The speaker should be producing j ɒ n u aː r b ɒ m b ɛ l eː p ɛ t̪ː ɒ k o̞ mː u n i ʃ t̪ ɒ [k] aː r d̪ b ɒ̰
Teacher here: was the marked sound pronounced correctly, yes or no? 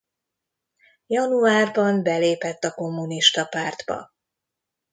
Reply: no